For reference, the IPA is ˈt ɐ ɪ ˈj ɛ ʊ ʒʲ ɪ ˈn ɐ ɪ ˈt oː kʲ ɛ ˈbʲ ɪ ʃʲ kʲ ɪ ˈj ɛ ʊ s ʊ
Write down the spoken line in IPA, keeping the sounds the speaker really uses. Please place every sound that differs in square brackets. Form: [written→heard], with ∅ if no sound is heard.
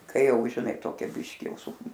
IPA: [ˈt→ˈk] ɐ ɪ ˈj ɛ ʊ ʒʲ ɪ ˈn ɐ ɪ ˈt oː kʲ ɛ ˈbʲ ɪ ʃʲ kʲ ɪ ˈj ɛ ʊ s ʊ